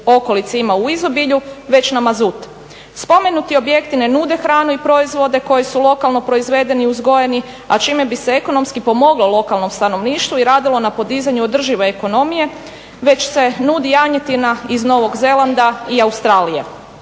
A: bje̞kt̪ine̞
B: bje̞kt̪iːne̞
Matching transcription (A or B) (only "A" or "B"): A